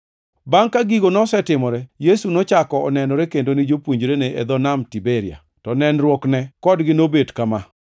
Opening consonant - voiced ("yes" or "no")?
yes